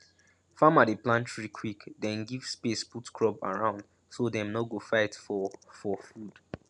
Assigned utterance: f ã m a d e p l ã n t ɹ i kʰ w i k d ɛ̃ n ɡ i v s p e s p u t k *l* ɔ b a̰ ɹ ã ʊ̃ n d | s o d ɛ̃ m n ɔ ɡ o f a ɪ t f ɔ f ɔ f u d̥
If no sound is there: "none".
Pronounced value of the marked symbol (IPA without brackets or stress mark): ɹ